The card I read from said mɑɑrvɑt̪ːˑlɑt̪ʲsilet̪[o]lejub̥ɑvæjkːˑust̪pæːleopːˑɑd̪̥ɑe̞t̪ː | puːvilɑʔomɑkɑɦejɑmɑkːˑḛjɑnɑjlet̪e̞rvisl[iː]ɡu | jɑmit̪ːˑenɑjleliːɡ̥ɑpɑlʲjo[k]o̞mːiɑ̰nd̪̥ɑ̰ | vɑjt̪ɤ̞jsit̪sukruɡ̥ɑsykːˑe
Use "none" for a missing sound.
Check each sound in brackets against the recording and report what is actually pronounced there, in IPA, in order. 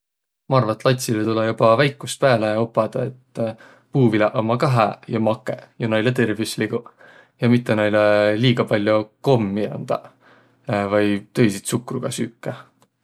u, i, k

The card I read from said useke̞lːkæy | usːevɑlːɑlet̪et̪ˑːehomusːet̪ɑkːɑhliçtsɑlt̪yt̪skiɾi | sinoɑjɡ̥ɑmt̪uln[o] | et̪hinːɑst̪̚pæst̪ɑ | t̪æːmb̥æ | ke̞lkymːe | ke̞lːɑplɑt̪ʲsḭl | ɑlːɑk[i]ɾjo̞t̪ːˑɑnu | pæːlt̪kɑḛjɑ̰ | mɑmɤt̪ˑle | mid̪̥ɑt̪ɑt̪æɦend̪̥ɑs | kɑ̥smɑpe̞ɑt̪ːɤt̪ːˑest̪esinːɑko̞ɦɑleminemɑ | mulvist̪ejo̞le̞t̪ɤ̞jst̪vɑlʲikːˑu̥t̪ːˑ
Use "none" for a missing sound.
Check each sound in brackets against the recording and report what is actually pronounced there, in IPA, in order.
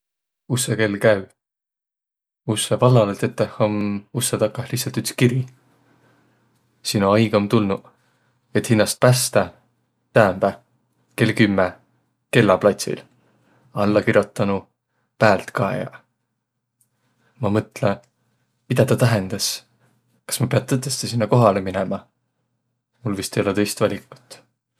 u, i

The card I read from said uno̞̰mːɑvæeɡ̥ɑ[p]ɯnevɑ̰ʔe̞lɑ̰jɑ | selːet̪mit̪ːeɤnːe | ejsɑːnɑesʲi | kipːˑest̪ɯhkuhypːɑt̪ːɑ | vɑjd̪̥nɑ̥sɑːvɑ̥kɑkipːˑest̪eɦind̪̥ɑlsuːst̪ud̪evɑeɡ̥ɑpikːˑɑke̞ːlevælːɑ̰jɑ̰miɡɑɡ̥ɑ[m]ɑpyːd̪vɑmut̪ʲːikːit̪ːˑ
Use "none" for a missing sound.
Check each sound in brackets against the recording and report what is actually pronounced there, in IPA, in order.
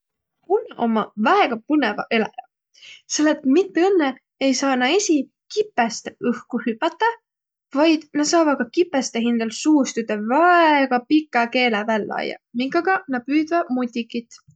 p, n

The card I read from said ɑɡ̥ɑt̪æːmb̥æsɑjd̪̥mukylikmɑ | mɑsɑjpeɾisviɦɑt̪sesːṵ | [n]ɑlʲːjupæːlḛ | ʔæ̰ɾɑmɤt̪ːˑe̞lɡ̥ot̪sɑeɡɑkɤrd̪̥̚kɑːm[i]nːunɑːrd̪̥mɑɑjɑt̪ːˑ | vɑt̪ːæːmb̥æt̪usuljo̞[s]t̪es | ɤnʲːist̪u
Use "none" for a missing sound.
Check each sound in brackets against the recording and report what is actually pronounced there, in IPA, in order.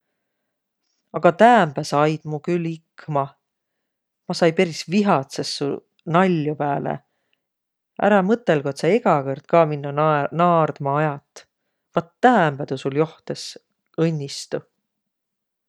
n, i, h

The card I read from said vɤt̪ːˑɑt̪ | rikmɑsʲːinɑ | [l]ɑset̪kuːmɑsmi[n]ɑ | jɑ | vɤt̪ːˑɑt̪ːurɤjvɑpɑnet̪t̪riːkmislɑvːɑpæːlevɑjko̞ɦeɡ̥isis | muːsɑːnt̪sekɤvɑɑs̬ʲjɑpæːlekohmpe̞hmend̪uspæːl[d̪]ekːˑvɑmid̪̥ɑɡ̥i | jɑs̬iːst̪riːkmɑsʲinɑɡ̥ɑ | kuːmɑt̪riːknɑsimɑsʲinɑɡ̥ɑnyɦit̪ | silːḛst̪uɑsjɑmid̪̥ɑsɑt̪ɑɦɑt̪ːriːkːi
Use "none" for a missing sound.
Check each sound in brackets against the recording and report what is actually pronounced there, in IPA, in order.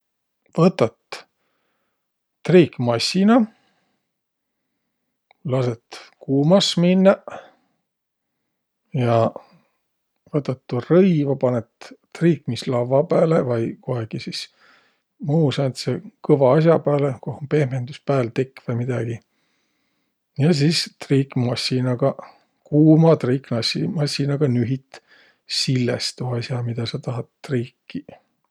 l, nː, t̪

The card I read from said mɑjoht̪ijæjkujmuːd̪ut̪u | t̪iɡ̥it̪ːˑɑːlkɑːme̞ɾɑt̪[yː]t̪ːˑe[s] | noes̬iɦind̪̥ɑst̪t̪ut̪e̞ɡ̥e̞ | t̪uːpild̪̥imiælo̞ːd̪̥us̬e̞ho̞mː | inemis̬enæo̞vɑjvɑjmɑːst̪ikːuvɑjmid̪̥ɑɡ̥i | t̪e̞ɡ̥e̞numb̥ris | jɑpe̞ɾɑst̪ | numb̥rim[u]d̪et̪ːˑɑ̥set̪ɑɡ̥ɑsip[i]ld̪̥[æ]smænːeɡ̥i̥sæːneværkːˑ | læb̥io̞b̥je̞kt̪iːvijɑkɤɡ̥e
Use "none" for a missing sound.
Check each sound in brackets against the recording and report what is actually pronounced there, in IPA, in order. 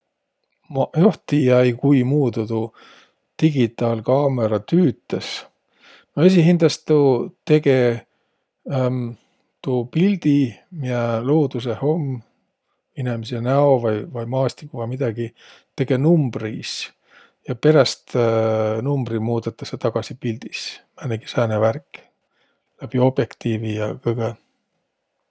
yː, s, uː, i, i

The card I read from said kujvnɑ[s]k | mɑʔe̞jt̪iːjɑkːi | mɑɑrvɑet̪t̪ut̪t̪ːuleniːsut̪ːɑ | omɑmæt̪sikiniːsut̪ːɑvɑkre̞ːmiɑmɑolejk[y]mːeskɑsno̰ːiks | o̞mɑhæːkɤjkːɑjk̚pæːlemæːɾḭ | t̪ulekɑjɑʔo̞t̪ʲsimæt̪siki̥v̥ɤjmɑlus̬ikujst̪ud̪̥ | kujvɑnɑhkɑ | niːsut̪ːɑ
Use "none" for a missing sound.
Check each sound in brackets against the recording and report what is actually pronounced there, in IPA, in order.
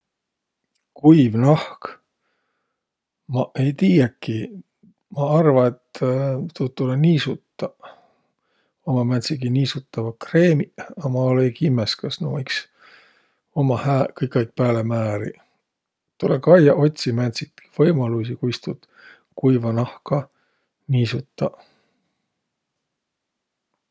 h, i

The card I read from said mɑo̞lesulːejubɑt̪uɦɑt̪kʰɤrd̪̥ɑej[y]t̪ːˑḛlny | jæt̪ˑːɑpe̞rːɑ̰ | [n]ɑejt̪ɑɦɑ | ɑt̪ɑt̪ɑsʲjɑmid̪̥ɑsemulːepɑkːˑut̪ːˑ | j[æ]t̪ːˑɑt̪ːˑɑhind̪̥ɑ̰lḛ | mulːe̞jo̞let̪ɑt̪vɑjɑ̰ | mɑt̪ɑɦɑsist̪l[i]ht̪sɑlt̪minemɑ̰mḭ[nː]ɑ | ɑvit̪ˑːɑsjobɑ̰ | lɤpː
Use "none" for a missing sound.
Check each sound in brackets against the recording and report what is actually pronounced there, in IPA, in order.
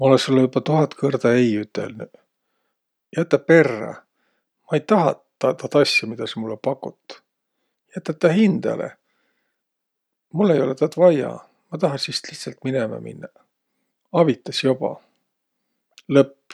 y, m, æ, i, nː

